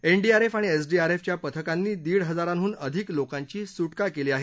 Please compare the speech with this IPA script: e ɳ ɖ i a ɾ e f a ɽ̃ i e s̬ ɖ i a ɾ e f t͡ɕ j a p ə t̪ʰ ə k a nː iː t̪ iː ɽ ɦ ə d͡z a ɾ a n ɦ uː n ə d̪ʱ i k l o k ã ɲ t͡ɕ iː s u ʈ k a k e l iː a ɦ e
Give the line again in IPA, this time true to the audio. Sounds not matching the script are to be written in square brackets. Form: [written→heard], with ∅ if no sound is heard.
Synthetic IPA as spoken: e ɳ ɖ i a ɾ e f a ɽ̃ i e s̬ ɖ i a ɾ e f t͡ɕ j a p ə t̪ʰ ə k a nː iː [t̪→d̪] iː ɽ ɦ ə d͡z a ɾ a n ɦ uː n ə d̪ʱ i k l o k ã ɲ t͡ɕ iː s u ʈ k a k e l iː a ɦ e